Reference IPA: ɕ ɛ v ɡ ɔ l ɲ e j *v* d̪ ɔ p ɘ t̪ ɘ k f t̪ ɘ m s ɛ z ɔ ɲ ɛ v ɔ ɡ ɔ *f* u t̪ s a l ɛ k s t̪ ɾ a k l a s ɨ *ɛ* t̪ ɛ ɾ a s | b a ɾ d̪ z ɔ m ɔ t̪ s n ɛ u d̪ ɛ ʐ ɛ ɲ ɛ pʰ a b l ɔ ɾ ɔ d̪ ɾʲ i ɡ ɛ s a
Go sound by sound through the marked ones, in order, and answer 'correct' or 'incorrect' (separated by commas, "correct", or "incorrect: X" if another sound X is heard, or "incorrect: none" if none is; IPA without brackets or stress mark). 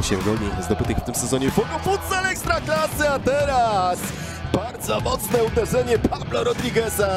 incorrect: z, correct, incorrect: a